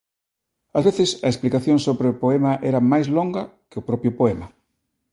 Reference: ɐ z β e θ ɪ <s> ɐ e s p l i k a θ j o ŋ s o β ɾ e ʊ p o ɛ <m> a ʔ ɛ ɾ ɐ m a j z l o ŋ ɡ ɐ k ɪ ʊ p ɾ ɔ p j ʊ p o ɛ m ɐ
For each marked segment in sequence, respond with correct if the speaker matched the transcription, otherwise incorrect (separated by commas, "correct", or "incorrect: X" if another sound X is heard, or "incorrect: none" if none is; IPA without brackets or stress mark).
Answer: correct, correct